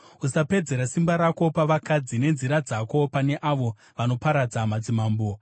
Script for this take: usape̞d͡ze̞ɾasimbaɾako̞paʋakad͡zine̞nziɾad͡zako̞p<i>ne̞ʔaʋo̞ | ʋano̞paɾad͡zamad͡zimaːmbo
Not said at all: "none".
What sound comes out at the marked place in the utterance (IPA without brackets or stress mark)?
a